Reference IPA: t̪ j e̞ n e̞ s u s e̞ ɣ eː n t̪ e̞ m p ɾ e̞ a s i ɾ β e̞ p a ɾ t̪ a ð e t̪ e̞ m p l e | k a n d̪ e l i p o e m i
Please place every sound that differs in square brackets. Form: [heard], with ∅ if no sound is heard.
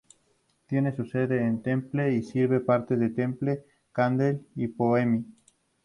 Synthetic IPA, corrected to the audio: t̪ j e̞ n e̞ s u s e̞ [ð] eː n t̪ e̞ m p [l] e̞ [i] s i ɾ β e̞ p a ɾ t̪ [e] ð e t̪ e̞ m p l e | k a n d̪ e l i p o e m i